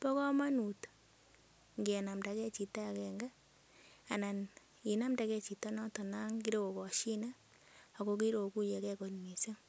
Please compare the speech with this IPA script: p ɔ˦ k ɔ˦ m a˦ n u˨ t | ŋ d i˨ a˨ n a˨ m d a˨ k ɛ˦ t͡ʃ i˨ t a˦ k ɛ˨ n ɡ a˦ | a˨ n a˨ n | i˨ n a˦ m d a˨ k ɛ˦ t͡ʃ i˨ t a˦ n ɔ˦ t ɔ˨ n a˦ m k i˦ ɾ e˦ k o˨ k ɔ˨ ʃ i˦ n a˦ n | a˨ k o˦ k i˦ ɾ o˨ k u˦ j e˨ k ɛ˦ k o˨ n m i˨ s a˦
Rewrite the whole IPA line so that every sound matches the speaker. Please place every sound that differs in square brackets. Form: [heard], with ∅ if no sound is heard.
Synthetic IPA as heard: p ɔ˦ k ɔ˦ m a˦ n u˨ t | ŋ [ɡ] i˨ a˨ n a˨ m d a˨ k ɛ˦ t͡ʃ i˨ t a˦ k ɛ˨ [ŋ] ɡ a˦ | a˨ n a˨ n | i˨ n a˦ m d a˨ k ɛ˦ t͡ʃ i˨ t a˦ n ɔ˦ t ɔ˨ n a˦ [ŋ] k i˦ ɾ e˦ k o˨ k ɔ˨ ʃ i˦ n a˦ [∅] | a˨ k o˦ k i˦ ɾ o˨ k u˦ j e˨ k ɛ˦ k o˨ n m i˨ s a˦

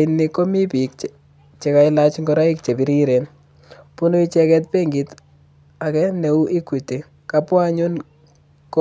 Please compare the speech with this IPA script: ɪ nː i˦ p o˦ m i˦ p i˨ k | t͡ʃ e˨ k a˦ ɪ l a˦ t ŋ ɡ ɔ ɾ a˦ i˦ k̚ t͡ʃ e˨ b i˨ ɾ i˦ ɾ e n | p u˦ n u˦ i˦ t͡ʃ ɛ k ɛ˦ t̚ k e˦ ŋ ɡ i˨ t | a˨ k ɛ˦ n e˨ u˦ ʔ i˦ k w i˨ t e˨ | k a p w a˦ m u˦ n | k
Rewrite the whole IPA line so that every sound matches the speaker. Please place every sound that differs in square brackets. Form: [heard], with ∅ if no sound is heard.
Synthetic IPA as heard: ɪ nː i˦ [k] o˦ m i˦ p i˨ k | t͡ʃ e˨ k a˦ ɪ l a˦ [t͡ʃ] ŋ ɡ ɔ ɾ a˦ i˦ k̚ t͡ʃ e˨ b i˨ ɾ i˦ ɾ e n | p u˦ n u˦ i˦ t͡ʃ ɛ k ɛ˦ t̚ [p] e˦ ŋ ɡ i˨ t | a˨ k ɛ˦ n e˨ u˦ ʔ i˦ k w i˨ t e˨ | k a p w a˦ [ɲ] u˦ n | k

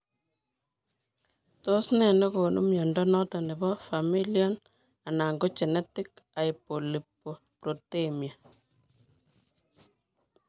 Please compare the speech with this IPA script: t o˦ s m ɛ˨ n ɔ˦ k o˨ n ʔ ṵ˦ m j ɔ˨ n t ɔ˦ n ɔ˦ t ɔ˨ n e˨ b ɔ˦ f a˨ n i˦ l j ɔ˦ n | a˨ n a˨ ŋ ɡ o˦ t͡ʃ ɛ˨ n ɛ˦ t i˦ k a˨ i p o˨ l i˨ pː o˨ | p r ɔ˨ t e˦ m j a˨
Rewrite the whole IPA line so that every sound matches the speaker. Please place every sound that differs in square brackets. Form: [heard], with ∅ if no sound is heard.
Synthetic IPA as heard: t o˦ s [n] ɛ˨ n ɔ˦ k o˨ n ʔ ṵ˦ m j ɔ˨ n [d] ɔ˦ n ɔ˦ t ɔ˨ n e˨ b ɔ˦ f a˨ [m] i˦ l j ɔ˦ n | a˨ n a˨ ŋ ɡ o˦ t͡ʃ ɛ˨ n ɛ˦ t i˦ k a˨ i p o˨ l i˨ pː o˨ | p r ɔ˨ t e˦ m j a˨

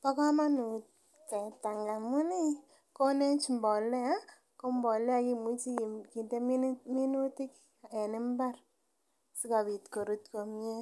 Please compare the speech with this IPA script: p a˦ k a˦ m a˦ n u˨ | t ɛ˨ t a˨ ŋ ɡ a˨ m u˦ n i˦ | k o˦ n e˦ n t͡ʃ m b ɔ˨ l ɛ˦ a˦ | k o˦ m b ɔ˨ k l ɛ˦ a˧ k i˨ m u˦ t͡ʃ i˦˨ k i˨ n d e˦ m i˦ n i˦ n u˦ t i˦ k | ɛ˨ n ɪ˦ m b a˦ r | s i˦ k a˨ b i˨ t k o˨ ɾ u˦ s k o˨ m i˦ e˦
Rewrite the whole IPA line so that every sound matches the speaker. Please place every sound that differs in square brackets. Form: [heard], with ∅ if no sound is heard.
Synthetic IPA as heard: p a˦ k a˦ m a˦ n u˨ | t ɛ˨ t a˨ ŋ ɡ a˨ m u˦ n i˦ | k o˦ n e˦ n t͡ʃ m b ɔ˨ l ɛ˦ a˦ | k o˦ m b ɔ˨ [∅] l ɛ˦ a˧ k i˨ m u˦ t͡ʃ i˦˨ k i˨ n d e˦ m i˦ [m] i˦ n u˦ t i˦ k | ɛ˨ n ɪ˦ m b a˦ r | s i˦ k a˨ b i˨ t k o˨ ɾ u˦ [t] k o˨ m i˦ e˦

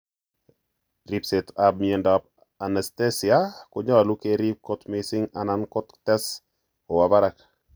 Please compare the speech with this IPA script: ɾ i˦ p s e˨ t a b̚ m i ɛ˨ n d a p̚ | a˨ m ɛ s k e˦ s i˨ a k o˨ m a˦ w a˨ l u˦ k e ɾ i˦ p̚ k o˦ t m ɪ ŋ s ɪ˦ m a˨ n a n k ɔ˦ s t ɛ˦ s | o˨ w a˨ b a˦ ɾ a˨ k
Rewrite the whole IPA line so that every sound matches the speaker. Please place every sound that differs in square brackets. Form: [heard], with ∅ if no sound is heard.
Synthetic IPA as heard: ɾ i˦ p s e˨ t a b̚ m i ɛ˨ n d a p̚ | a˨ [n] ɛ s [t] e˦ s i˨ a k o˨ [ɲ] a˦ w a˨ l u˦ k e ɾ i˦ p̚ k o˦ t m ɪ [∅] s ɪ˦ [ŋ] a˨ n a n k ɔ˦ [t] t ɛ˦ s | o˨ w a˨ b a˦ ɾ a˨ k

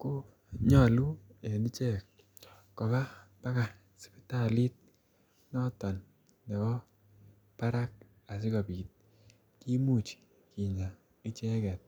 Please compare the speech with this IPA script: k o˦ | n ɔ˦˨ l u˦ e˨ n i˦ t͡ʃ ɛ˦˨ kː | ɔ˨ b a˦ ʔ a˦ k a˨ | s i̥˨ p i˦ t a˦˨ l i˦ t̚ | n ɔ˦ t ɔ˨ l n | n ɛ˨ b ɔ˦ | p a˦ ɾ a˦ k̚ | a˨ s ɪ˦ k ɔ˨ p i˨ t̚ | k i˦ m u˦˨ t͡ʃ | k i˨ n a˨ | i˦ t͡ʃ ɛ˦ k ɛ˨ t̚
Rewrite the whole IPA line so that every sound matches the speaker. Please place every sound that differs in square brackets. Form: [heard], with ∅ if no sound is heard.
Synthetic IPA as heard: k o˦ | [ɲ] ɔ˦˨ l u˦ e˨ n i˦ t͡ʃ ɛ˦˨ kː | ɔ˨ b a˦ [p] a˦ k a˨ | s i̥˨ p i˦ t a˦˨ l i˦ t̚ | n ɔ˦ t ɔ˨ [∅] n | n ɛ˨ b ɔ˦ | p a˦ ɾ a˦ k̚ | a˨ s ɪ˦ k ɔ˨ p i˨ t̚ | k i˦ m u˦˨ t͡ʃ | k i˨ [ɲ] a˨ | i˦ t͡ʃ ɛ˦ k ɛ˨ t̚

